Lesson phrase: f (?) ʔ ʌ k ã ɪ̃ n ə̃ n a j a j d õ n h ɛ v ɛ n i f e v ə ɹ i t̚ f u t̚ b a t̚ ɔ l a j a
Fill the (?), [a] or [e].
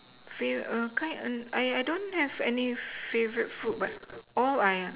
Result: e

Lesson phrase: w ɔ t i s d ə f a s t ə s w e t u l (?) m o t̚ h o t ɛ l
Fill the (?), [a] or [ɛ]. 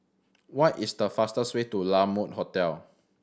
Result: a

